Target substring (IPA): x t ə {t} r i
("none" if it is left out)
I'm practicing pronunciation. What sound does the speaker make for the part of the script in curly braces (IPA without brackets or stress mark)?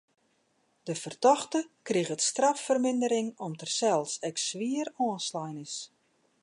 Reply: k